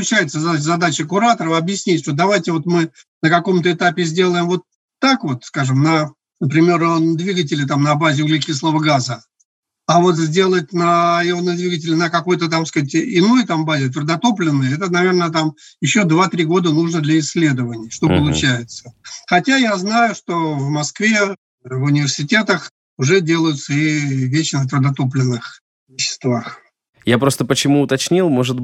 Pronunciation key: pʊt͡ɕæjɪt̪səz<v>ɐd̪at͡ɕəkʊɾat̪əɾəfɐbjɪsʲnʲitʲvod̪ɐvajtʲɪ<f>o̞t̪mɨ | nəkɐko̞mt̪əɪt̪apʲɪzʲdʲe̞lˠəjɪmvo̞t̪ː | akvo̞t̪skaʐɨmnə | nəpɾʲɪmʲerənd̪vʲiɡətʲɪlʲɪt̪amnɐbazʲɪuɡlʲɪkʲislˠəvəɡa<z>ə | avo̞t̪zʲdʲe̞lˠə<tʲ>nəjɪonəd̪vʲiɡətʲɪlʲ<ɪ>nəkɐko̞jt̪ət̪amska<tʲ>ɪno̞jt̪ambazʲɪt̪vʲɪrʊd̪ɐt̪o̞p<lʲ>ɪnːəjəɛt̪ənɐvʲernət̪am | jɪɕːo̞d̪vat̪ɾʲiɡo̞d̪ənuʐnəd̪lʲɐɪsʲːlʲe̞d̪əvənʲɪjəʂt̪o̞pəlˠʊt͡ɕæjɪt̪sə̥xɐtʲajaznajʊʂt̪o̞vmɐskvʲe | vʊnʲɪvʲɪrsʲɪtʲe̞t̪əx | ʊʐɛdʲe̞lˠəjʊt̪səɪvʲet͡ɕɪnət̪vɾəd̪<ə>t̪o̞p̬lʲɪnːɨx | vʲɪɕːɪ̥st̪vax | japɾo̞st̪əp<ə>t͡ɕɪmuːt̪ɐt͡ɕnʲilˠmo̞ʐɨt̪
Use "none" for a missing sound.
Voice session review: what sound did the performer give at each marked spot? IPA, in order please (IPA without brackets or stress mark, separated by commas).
z, v, z, tʲ, ɪ, tʲ, lʲ, ɐ, ə